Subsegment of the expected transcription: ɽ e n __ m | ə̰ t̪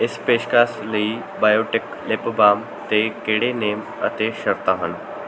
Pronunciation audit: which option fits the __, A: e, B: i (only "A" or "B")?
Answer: A